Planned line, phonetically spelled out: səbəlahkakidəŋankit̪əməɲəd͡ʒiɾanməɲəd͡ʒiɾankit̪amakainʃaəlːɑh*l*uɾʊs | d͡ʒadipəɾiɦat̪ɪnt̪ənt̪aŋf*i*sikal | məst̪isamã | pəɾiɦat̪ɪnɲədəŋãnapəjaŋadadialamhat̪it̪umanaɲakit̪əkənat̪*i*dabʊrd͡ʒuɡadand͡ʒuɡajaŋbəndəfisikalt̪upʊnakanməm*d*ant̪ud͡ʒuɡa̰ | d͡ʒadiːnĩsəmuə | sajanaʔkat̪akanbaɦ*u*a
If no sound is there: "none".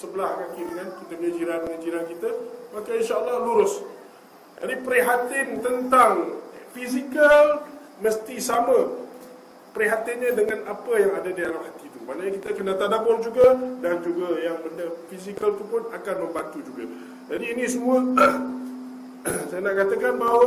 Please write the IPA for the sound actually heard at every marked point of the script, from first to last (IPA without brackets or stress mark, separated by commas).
l, i, a, b, w